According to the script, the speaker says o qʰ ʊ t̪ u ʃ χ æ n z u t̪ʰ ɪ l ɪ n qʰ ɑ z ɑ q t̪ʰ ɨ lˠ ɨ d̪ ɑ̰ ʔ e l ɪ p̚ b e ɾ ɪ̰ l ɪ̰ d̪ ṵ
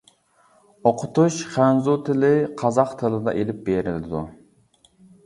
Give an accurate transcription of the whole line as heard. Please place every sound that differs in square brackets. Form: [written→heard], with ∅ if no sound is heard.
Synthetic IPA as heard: o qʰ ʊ t̪ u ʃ χ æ n z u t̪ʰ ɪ l ɪ [n→∅] qʰ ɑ z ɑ q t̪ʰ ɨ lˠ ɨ d̪ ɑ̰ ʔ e l ɪ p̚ b e ɾ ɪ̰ l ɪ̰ d̪ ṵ

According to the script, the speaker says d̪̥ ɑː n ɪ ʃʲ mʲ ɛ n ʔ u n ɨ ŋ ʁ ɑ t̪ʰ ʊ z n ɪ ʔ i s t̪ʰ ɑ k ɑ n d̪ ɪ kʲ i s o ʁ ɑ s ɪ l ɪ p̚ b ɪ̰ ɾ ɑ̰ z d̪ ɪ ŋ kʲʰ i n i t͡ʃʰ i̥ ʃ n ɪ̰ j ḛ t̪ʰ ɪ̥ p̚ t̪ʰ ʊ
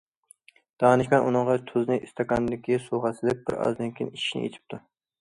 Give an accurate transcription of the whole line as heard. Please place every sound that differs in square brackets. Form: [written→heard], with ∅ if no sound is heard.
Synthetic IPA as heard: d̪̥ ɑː n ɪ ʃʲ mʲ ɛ n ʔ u n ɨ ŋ ʁ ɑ t̪ʰ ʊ z n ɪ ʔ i s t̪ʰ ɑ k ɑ n d̪ ɪ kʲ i s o ʁ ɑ s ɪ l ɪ p̚ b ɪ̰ ɾ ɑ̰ z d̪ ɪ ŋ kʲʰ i n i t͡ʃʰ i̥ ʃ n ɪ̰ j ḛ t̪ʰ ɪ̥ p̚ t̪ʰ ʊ

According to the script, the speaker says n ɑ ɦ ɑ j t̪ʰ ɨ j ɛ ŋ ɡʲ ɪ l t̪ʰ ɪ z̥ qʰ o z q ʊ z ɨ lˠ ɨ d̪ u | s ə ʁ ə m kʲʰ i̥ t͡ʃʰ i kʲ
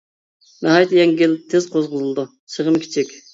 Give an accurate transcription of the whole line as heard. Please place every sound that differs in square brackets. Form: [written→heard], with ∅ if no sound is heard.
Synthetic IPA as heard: n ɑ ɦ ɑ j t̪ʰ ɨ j ɛ ŋ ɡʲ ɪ l t̪ʰ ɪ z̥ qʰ o z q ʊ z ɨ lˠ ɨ d̪ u | s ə ʁ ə m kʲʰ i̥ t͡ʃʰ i kʲ

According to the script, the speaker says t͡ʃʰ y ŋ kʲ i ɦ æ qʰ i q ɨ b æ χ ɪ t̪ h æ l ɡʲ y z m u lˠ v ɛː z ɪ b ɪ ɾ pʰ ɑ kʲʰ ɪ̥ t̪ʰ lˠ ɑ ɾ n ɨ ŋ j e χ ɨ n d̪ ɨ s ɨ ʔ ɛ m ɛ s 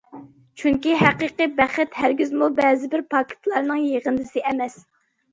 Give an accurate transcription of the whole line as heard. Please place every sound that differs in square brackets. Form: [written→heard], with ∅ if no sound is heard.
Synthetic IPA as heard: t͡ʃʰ y ŋ kʲ i ɦ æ [qʰ→q] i q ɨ b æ χ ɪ t̪ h æ [l→ɾ] ɡʲ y z m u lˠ [v→b] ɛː z ɪ b ɪ ɾ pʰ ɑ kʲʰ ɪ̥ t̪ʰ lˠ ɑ ɾ n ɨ ŋ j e [χ→ʁ] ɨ n d̪ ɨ s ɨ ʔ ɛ m ɛ s

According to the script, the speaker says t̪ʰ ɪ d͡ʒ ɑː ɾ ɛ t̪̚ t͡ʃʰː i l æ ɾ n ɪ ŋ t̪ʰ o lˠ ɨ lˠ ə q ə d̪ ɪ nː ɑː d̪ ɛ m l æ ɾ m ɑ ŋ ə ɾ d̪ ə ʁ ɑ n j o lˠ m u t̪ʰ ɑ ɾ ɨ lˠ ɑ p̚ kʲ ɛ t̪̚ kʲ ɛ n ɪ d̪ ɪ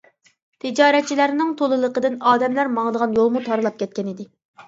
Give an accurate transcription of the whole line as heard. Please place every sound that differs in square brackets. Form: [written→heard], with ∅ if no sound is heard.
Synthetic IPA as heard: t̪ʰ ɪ d͡ʒ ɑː ɾ ɛ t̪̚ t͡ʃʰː i l æ ɾ n ɪ ŋ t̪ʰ o lˠ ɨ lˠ ə q ə d̪ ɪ [nː→n] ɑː d̪ ɛ m l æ ɾ m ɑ ŋ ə [ɾ→∅] d̪ ə ʁ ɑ n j o lˠ m u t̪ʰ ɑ ɾ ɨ lˠ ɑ p̚ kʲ ɛ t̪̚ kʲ ɛ n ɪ d̪ ɪ

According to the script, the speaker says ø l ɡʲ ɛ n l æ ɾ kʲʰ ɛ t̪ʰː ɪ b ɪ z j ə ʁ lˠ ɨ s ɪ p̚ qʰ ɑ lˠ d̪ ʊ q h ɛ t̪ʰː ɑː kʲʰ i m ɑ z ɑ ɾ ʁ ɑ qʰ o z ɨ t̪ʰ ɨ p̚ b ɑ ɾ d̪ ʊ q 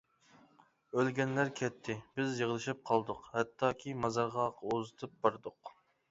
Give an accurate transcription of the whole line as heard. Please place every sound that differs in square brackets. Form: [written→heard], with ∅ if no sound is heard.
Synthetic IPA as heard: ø l ɡʲ ɛ n l æ ɾ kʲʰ ɛ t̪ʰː ɪ b ɪ z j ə ʁ lˠ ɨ [s→ʃ] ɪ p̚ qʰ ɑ lˠ d̪ ʊ q h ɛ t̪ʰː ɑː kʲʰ i m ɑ z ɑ ɾ ʁ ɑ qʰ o z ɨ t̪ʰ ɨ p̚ b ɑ ɾ d̪ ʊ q

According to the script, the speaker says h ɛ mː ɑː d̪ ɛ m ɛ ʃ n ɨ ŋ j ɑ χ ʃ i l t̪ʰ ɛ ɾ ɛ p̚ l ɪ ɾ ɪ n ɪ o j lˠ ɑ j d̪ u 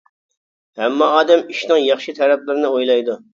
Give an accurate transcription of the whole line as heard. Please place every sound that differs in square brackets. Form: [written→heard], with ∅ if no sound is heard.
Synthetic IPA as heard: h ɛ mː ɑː d̪ ɛ m [ɛ→i] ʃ n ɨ ŋ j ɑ χ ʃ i [l→∅] t̪ʰ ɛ ɾ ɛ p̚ l ɪ ɾ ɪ n ɪ o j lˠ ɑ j d̪ u

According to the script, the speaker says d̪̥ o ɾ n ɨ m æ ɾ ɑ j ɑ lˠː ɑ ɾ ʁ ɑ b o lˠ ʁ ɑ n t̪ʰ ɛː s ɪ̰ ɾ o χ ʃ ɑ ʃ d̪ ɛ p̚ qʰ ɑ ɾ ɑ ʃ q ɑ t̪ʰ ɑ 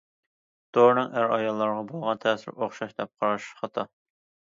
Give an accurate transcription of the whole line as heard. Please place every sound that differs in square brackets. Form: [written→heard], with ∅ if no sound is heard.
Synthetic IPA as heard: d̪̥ o ɾ n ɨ [m→ŋ] æ ɾ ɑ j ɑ lˠː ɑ ɾ ʁ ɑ b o lˠ ʁ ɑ n t̪ʰ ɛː s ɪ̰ ɾ o χ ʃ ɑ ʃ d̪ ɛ p̚ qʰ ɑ ɾ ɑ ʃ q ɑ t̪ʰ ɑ

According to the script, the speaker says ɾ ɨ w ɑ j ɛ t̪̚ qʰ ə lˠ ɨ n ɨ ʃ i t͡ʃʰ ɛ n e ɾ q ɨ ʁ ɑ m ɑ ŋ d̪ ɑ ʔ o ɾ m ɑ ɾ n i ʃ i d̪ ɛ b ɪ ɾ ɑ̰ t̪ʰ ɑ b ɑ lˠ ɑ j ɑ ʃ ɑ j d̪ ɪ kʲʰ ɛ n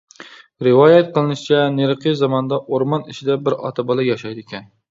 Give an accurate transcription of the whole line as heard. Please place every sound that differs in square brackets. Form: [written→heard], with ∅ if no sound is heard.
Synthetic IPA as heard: ɾ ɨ w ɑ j ɛ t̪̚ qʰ ə lˠ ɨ n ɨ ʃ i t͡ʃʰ ɛ n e ɾ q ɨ [ʁ→z] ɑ m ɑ [ŋ→n] d̪ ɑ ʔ o ɾ m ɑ [ɾ→∅] n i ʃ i d̪ ɛ b ɪ ɾ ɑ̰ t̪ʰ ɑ b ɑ lˠ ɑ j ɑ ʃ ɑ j d̪ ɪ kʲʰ ɛ n

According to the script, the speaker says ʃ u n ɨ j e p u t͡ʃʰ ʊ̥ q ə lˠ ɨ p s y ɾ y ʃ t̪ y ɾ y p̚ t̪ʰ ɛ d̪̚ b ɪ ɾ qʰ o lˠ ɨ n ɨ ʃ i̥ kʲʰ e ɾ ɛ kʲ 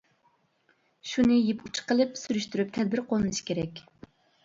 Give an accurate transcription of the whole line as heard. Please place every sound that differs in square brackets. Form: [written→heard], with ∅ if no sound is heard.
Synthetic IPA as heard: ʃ u n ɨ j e p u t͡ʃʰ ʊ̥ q ə lˠ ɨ p s y ɾ y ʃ t̪ y ɾ y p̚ t̪ʰ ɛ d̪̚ b ɪ ɾ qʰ o lˠ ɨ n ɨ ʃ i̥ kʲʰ e ɾ ɛ kʲ

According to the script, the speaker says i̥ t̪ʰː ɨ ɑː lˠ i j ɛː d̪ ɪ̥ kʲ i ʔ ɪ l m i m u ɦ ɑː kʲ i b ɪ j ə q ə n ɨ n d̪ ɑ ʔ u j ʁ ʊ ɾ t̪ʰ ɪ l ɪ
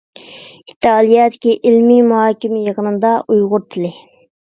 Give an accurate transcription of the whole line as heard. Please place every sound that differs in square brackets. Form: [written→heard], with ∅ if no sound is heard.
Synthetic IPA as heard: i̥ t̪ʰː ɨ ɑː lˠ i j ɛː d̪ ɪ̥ kʲ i ʔ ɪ l m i m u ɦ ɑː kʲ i [b→m] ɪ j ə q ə n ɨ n d̪ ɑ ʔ u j ʁ ʊ ɾ t̪ʰ ɪ l ɪ

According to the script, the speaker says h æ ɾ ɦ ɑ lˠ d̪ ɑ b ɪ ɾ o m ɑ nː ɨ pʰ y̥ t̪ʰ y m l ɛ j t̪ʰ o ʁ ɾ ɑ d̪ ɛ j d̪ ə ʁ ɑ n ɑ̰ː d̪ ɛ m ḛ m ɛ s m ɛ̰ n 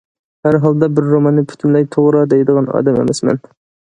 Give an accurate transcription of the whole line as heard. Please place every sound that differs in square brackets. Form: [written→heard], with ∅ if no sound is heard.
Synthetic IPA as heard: h æ ɾ ɦ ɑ lˠ d̪ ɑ b ɪ [ɾ→ɾː] o m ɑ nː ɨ pʰ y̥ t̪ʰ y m l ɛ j t̪ʰ o ʁ ɾ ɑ d̪ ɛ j d̪ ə ʁ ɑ n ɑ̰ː d̪ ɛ m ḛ m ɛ s m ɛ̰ n

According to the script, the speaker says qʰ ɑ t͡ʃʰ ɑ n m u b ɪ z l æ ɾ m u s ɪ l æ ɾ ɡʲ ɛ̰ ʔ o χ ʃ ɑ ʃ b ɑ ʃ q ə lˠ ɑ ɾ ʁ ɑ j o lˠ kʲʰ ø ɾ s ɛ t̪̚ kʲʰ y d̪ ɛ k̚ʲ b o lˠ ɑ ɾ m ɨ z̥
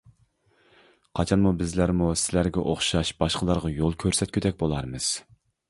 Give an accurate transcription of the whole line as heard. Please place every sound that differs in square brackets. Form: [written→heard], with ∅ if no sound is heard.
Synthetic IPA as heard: qʰ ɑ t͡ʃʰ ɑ n m u b ɪ z l æ ɾ m u s ɪ l æ ɾ ɡʲ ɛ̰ ʔ o χ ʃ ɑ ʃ b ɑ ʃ q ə lˠ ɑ ɾ ʁ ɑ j o lˠ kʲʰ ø ɾ s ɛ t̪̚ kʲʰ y d̪ ɛ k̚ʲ b o lˠ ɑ ɾ m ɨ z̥

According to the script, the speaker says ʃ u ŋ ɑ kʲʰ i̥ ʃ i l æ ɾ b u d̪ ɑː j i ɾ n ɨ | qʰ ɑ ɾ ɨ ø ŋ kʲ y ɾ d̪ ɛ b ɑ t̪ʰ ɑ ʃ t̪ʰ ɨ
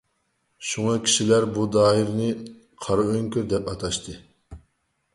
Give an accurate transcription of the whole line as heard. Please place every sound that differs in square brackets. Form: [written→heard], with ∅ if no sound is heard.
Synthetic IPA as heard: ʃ u ŋ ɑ kʲʰ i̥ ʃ i l æ ɾ b u d̪ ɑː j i ɾ n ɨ | qʰ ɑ ɾ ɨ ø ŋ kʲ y ɾ d̪ ɛ [b→p] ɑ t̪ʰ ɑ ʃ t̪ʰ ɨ

